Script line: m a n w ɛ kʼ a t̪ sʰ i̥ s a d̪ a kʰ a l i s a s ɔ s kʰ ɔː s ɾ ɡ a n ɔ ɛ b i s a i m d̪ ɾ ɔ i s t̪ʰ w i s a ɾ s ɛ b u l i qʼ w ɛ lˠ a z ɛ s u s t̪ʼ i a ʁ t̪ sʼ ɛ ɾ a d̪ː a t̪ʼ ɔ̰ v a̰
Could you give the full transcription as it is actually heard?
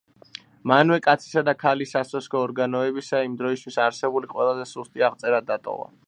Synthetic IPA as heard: m a n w ɛ kʼ a t̪ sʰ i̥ s a d̪ a kʰ a l i s a s ɔ s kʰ ɔː ɾ ɡ a n ɔ ɛ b i s a i m d̪ ɾ ɔ i s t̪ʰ w i s a ɾ s ɛ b u l i qʼ w ɛ lˠ a z ɛ s u s t̪ʼ i a ʁ t̪ sʼ ɛ ɾ a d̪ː a t̪ʼ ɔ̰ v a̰